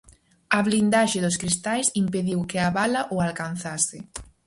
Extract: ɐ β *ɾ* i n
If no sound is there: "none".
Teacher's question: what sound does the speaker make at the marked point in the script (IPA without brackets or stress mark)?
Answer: l